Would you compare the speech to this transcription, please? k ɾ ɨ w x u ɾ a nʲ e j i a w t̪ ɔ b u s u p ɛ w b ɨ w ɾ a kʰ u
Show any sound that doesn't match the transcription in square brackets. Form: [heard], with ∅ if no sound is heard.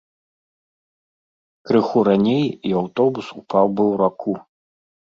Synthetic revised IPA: k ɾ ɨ [∅] x u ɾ a nʲ e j i a w t̪ ɔ b u s u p [a] w b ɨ w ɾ a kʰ u

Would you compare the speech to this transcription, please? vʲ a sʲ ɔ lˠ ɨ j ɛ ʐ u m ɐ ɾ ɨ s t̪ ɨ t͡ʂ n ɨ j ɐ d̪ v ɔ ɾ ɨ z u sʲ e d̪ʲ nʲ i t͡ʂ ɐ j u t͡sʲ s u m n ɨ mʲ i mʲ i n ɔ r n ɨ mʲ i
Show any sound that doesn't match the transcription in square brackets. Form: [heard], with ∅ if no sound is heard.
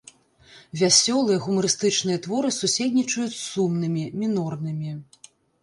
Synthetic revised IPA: vʲ a sʲ ɔ lˠ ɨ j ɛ [ɣ] u m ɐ ɾ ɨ s t̪ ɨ t͡ʂ n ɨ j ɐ [t̪] v ɔ ɾ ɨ [s] u sʲ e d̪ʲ nʲ i t͡ʂ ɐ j u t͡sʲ s u m n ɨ mʲ i mʲ i n ɔ r n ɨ mʲ i

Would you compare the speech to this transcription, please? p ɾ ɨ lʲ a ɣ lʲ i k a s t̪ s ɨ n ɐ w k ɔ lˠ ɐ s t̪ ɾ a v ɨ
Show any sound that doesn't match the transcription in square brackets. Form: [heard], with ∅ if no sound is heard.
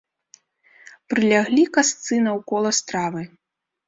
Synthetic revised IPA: p ɾ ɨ lʲ a ɣ lʲ i k a s t̪ s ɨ n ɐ w k ɔ lˠ ɐ s t̪ ɾ a v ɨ

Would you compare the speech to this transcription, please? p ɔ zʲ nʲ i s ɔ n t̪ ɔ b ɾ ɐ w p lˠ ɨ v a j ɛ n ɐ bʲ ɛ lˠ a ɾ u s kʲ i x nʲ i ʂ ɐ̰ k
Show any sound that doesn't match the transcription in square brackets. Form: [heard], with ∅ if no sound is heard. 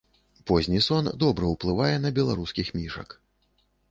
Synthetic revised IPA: p ɔ zʲ nʲ i s ɔ n [d̪] ɔ b ɾ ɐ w p lˠ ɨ v a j ɛ n ɐ bʲ ɛ lˠ a ɾ u s kʲ i x [mʲ] i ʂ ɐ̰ k

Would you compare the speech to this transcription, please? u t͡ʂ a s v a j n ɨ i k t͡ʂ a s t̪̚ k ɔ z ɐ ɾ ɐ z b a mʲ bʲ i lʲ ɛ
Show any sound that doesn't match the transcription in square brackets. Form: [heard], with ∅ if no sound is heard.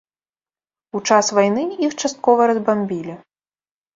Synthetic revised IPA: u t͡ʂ a s v a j n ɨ i [x] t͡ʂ a s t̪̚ k ɔ [v] ɐ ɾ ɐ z b a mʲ bʲ i lʲ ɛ

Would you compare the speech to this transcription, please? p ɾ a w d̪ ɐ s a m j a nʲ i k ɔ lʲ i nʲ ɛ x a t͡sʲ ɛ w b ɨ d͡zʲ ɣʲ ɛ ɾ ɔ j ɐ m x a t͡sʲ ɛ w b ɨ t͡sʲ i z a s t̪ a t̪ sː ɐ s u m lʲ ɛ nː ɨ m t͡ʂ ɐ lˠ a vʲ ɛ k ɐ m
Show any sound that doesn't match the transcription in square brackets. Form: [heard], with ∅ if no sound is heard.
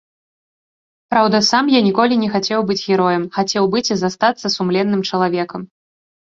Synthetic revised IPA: p ɾ a w d̪ ɐ s a m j a nʲ i k ɔ lʲ i nʲ ɛ x a t͡sʲ ɛ w b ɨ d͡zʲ ɣʲ ɛ ɾ ɔ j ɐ m x a t͡sʲ ɛ w b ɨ t͡sʲ i z a s t̪ a t̪ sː ɐ s u m lʲ ɛ nː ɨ m t͡ʂ ɐ lˠ a vʲ ɛ k ɐ m

